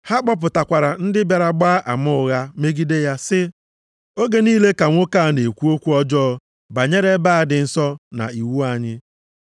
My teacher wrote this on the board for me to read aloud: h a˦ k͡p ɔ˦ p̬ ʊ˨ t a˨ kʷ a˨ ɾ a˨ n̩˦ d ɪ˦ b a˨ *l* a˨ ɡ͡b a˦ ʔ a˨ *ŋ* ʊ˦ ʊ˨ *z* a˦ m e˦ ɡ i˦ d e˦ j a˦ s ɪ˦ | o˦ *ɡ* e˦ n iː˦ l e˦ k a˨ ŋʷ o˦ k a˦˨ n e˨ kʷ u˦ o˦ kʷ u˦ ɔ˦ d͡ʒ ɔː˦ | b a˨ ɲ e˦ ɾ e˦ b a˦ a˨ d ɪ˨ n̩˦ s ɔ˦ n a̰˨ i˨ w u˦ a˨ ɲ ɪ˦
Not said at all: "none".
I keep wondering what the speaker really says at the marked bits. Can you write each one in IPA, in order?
ɾ, m, ɣ, ɡ

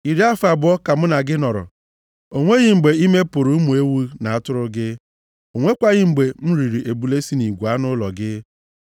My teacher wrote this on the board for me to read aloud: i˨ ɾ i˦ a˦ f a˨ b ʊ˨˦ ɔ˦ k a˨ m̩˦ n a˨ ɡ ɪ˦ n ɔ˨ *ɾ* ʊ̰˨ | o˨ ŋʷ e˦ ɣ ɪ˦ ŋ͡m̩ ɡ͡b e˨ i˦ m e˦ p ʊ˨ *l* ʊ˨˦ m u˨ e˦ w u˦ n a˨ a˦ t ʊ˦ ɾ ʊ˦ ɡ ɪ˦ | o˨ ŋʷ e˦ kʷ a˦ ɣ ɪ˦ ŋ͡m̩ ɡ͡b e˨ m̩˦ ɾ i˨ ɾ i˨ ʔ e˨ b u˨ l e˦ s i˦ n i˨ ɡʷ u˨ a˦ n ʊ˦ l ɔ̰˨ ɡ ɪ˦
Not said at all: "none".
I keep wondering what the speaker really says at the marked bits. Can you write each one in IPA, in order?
ɾ, ɾ

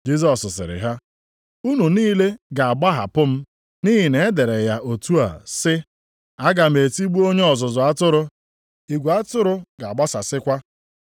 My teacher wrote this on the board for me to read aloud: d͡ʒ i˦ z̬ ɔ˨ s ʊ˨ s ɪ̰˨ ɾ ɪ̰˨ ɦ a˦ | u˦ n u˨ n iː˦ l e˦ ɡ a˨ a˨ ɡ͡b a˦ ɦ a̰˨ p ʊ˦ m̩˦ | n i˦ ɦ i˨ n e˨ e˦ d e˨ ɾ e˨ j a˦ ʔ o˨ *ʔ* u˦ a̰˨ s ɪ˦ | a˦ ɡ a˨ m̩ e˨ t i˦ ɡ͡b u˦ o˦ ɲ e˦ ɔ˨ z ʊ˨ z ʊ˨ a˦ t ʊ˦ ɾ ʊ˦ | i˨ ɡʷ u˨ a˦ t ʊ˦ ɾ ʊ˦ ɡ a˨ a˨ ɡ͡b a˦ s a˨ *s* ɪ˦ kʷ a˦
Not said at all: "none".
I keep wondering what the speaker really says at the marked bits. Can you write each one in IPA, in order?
t, s

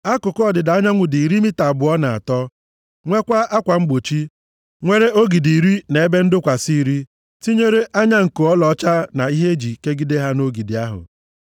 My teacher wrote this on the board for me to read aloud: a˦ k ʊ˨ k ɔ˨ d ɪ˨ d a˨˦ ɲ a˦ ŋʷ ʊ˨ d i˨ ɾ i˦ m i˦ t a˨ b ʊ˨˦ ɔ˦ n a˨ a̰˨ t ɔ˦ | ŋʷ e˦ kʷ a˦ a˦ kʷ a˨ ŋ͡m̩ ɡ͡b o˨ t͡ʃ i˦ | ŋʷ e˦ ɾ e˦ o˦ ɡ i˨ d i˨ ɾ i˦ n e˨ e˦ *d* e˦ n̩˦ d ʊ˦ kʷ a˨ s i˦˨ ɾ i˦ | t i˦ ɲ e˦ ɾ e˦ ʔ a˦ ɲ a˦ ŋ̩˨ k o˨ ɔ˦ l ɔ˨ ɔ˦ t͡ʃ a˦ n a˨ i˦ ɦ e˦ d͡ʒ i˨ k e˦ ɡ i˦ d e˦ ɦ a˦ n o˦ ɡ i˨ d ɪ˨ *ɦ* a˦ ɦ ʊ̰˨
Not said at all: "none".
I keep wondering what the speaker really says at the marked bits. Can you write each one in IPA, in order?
b, none

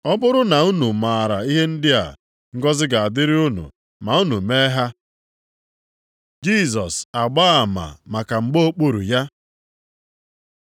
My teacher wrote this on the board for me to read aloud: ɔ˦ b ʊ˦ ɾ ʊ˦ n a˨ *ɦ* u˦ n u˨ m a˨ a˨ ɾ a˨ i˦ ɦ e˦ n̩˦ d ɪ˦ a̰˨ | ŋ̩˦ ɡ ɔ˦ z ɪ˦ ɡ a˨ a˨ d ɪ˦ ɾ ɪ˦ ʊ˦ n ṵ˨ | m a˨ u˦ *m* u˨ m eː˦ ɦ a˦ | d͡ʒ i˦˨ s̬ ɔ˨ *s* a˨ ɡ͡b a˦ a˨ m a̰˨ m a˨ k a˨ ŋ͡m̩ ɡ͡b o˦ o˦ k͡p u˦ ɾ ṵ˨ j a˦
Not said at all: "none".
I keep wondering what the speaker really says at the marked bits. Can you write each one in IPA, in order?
none, n, s

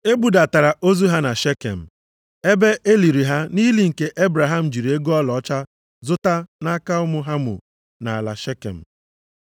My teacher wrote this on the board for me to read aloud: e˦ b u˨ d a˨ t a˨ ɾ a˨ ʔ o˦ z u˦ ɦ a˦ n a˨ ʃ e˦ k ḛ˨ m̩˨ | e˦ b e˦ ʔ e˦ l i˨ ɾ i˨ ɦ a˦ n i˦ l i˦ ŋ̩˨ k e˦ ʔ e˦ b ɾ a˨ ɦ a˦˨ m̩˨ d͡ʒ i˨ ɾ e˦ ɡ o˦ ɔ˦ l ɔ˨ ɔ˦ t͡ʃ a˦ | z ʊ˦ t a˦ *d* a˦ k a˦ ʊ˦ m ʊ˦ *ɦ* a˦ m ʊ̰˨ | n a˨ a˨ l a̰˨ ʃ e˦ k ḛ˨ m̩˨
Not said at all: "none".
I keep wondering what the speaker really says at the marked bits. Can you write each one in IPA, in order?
n, ɦ

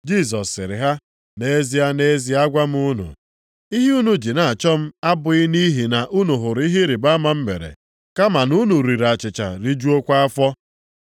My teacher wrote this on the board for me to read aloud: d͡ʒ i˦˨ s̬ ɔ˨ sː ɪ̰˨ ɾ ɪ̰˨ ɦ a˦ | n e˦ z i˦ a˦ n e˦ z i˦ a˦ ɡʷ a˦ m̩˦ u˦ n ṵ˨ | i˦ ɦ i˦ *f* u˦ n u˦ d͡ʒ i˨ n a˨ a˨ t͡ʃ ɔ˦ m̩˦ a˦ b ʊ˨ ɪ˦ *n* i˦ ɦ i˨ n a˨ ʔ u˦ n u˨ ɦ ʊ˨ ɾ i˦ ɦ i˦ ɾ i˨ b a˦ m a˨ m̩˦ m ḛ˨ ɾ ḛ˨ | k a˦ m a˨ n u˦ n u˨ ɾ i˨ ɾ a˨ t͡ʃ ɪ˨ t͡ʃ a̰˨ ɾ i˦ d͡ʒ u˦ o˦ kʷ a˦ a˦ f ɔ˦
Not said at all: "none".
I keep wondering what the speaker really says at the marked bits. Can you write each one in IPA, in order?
none, n

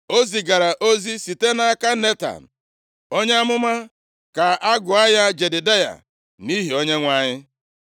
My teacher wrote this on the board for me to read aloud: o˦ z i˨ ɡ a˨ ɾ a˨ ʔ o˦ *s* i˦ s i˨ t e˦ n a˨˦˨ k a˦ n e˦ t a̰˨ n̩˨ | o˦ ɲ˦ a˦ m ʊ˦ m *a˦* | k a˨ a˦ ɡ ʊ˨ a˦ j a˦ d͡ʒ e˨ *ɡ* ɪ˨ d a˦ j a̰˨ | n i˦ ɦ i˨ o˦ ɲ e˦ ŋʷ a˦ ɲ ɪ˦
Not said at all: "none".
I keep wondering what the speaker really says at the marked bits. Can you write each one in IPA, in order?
z, a˦, d

